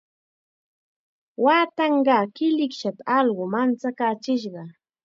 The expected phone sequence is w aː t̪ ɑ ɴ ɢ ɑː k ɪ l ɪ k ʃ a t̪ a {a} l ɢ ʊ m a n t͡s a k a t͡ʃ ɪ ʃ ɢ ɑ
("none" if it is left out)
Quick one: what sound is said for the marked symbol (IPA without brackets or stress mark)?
ɑ